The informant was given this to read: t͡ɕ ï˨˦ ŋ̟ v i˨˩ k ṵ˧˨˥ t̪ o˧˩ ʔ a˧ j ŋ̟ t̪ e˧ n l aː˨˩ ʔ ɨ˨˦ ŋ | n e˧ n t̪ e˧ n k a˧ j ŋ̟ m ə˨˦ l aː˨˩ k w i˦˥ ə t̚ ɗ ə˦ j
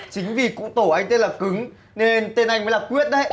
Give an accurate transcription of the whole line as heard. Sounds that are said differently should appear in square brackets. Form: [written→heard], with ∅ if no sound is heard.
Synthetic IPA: t͡ɕ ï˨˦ ŋ̟ v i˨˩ k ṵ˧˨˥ t̪ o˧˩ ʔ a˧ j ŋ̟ t̪ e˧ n l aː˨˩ [ʔ→k] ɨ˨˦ ŋ | n e˧ n t̪ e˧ n [k→ʔ] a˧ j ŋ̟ m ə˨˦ l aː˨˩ k w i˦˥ ə t̚ ɗ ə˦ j

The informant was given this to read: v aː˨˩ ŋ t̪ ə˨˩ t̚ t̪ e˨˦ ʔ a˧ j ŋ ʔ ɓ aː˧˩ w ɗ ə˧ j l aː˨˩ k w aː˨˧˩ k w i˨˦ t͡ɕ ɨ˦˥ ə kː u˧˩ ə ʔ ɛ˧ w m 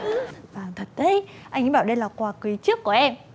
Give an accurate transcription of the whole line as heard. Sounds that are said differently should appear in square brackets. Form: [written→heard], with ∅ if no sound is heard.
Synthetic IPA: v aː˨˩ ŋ [t̪→t̪ʰ] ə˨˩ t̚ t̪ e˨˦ ʔ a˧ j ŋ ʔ ɓ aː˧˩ w ɗ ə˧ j l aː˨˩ k w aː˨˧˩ k w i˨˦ t͡ɕ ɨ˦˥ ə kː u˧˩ ə ʔ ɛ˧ [w→∅] m

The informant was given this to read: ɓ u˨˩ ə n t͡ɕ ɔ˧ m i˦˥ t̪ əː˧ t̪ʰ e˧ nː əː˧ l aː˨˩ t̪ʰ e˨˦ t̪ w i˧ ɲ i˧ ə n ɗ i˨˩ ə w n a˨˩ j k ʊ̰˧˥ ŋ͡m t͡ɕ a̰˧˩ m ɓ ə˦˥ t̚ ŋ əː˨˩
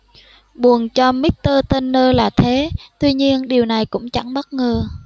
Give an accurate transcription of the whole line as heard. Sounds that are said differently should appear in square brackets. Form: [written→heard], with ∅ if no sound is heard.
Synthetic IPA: ɓ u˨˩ ə n t͡ɕ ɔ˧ m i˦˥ t̪ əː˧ [t̪ʰ→t̪] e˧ nː əː˧ l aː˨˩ t̪ʰ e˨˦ t̪ w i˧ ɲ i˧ ə n ɗ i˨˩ ə w n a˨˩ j k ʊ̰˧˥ ŋ͡m t͡ɕ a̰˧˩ [m→ŋ] ɓ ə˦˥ t̚ ŋ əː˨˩

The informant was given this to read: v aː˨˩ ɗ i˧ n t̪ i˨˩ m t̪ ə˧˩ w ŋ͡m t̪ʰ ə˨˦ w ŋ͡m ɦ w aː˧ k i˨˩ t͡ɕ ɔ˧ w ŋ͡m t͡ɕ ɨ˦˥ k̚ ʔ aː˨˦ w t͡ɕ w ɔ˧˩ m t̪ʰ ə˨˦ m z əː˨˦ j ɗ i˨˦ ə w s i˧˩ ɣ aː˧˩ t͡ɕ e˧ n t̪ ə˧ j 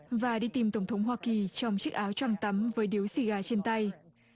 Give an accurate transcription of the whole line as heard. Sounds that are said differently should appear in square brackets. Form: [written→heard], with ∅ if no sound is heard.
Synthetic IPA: v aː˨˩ ɗ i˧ [n→∅] t̪ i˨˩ m t̪ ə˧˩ w ŋ͡m t̪ʰ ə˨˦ w ŋ͡m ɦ w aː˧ k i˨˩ t͡ɕ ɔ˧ w ŋ͡m t͡ɕ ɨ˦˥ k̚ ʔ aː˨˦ w t͡ɕ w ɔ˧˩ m [t̪ʰ→t̪] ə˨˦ m [z→v] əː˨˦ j ɗ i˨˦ ə w s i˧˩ ɣ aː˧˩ t͡ɕ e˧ n t̪ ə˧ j

